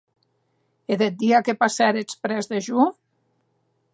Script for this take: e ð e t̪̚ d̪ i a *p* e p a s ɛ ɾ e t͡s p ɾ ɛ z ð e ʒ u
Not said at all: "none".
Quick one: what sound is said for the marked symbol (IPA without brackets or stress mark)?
k